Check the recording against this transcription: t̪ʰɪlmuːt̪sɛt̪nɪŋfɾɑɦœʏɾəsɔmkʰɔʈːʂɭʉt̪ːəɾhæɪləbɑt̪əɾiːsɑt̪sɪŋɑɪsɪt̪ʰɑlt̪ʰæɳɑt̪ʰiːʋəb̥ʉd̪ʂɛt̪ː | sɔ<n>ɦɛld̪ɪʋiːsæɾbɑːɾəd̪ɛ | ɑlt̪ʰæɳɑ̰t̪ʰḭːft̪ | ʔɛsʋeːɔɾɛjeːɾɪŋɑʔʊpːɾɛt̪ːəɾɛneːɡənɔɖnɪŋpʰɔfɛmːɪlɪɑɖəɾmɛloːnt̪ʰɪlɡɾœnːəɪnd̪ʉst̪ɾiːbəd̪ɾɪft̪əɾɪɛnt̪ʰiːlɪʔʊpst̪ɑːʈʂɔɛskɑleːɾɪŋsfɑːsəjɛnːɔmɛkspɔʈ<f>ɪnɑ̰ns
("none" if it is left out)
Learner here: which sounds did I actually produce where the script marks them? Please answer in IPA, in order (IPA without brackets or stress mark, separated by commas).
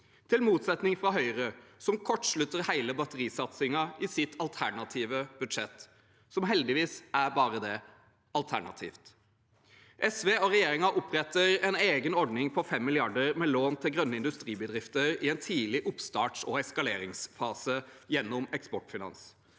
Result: m, f